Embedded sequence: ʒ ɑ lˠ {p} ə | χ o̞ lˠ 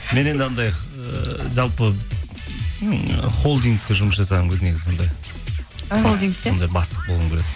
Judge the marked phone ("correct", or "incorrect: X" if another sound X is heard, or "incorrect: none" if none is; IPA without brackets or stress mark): correct